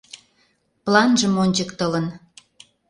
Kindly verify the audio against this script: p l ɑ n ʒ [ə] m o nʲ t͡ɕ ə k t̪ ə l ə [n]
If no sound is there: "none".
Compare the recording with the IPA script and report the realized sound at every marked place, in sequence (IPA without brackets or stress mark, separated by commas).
ə, n